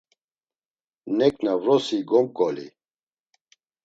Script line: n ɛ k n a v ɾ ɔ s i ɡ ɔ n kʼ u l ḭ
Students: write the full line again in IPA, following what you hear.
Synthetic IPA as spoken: n ɛ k n a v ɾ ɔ s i ɡ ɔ m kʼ ɔ l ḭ